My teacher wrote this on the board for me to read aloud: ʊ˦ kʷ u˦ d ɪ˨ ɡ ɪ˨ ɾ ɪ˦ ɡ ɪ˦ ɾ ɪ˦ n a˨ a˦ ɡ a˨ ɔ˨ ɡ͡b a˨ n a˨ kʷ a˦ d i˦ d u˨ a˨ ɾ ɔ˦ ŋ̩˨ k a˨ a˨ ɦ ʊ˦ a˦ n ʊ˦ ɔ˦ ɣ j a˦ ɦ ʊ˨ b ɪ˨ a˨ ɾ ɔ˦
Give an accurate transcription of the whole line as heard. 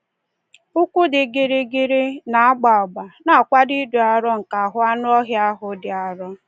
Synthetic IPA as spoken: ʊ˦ kʷ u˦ d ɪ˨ ɡ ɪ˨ ɾ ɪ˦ ɡ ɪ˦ ɾ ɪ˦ n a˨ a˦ ɡ͡b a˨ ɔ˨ ɡ͡b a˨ n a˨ kʷ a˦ d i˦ d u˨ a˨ ɾ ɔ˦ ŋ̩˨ k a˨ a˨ ɦ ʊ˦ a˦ n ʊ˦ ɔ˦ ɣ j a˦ ɦ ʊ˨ d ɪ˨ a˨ ɾ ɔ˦